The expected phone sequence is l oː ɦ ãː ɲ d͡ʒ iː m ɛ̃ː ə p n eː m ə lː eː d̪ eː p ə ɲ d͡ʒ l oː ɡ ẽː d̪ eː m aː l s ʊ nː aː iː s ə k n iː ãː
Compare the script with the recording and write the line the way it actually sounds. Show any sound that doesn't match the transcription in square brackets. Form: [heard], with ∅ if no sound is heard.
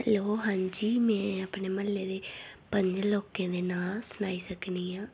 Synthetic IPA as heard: l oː ɦ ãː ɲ d͡ʒ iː m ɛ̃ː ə p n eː m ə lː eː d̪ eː p ə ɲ d͡ʒ l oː [k] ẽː d̪ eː [n] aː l s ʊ [n] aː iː s ə k n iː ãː